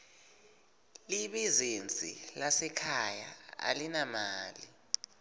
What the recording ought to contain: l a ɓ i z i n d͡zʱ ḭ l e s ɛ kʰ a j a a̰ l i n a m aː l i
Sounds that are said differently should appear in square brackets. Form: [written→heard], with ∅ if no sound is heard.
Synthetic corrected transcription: l [a→i] ɓ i z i n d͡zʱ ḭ l [e→a] s ɛ kʰ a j a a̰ l i n a m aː l i